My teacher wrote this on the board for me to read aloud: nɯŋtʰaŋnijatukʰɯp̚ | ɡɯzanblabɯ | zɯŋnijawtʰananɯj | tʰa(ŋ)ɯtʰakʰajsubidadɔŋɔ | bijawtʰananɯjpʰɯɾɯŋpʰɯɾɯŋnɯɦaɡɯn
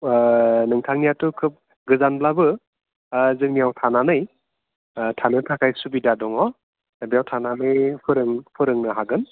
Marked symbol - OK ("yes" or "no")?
no